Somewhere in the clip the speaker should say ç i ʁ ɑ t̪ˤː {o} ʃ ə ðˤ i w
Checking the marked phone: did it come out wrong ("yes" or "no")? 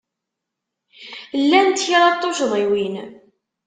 no